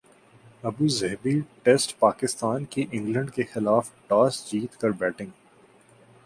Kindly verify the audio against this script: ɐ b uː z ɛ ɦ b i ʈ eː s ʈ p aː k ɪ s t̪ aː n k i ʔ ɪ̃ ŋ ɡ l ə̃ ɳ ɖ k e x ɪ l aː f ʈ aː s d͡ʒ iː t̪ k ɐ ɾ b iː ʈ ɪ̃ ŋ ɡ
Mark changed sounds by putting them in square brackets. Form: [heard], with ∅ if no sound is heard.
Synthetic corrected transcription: ɐ b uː z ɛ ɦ b i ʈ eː s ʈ p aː k ɪ s t̪ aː n k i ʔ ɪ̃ ŋ ɡ l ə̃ ɳ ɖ k e x ɪ l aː f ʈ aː s d͡ʒ iː t̪ k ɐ ɾ b [ɛː] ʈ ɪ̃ ŋ ɡ